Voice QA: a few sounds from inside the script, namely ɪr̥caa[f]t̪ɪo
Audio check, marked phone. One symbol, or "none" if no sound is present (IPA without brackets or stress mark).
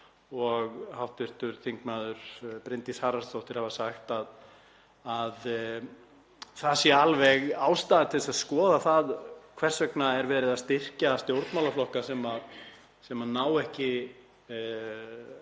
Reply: s